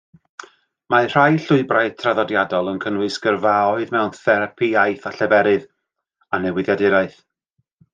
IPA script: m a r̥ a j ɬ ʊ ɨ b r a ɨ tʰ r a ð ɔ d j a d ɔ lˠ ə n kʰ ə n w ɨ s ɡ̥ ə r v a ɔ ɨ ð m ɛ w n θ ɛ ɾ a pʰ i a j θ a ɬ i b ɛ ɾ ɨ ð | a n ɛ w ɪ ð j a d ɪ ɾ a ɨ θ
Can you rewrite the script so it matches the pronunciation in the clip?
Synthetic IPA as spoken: m a r̥ a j ɬ ʊ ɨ b r a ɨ tʰ r a ð ɔ d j a d ɔ lˠ ə n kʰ ə n w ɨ s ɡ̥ ə r v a ɔ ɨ ð m ɛ w n θ ɛ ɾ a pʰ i a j θ a ɬ ɛ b ɛ ɾ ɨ ð | a n ɛ w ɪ ð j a d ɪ ɾ a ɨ θ